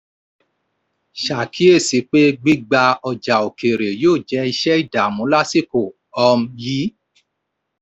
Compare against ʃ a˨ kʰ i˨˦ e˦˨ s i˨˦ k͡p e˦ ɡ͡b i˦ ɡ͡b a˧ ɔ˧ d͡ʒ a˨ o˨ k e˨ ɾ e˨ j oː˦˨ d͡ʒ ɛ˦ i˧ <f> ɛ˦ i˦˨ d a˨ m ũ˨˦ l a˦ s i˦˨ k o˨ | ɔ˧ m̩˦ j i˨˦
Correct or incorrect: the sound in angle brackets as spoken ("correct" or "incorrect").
incorrect